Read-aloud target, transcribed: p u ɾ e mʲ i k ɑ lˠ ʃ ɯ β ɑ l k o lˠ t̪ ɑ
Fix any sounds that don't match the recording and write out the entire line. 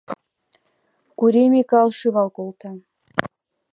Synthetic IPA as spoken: k u ɾ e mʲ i k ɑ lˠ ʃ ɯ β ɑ l k o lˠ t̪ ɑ